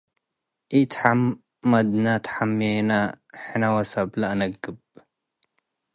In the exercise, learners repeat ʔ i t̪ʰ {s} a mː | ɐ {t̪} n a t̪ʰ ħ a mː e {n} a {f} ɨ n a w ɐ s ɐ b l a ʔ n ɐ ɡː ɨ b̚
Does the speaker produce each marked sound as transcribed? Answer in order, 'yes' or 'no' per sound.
no, no, yes, no

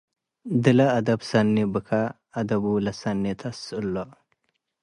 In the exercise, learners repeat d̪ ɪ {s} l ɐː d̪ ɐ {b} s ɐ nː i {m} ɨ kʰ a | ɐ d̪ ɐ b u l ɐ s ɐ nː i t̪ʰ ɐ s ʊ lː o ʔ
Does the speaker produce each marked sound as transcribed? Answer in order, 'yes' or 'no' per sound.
no, yes, no

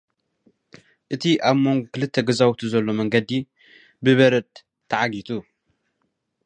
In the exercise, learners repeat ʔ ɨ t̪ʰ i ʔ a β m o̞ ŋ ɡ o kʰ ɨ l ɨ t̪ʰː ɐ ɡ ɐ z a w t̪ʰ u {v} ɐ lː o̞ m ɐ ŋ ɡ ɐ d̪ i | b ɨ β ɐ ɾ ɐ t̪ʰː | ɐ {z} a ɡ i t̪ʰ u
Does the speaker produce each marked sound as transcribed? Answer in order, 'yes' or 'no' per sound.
no, no

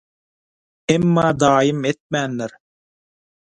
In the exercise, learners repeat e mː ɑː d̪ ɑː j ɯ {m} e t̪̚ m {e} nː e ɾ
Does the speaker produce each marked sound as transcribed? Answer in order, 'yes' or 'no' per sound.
yes, no

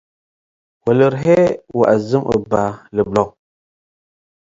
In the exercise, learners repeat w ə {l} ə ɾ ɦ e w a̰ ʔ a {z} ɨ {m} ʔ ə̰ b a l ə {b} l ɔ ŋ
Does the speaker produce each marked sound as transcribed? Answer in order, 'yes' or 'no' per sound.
yes, yes, yes, yes

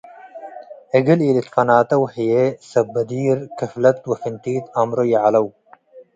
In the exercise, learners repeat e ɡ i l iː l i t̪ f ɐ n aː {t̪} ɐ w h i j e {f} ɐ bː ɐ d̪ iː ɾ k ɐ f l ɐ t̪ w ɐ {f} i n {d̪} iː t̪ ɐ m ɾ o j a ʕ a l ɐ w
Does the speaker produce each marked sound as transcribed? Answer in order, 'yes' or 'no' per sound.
yes, no, yes, no

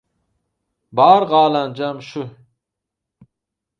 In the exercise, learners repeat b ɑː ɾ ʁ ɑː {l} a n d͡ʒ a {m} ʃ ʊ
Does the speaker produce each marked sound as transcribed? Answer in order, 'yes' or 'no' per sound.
yes, yes

